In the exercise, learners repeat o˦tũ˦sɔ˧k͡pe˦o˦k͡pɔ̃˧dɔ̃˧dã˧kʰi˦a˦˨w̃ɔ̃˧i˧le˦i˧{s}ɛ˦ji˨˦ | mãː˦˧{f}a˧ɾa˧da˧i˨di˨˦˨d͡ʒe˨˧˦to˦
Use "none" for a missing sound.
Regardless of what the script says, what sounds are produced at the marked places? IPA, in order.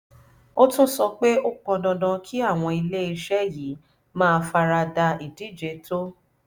ʃ, f

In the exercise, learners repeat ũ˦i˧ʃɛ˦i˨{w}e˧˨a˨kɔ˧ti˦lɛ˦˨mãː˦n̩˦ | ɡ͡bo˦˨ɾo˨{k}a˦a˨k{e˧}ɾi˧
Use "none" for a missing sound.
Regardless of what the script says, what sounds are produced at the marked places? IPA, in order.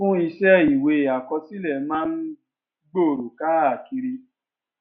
w, k, i˧

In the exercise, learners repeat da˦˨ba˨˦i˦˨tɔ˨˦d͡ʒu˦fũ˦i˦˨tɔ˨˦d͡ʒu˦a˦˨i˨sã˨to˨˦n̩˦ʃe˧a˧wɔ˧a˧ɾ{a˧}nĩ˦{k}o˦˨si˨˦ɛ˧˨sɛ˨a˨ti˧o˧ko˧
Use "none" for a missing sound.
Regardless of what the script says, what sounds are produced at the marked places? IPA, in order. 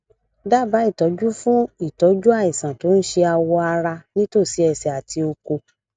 a˧, t

